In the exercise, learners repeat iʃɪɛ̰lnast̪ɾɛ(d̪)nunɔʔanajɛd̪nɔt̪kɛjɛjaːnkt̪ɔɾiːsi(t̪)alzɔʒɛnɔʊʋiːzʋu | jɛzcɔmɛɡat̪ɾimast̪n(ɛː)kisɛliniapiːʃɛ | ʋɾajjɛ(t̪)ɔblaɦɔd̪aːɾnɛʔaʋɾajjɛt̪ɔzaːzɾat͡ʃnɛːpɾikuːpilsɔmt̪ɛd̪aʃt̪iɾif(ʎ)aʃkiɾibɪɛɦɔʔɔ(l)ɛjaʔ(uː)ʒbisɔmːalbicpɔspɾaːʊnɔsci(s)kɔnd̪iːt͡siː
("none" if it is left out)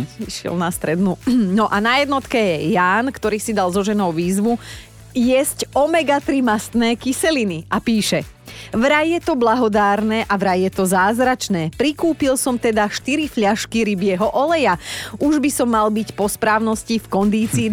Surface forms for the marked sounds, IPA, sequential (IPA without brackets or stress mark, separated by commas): d̪, d̪, ɛː, t̪, ʎ, l, u, f